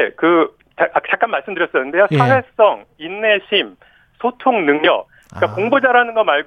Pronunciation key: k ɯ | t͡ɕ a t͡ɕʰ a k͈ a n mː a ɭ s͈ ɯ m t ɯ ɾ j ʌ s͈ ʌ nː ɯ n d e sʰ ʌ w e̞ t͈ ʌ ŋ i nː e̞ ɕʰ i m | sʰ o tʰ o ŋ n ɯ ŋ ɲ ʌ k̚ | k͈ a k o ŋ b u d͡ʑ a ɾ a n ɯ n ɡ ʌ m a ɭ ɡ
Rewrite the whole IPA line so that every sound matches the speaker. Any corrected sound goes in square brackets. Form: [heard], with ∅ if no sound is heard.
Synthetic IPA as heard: k ɯ | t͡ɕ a [t͡ɕ] a k͈ a n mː a ɭ s͈ ɯ m [d] ɯ ɾ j ʌ s͈ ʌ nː ɯ n d e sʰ [a] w e̞ [s͈] ʌ ŋ i nː e̞ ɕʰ i m | sʰ o tʰ o ŋ n ɯ ŋ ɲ ʌ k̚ | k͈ a k o ŋ b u d͡ʑ a ɾ a n ɯ n ɡ ʌ m a ɭ ɡ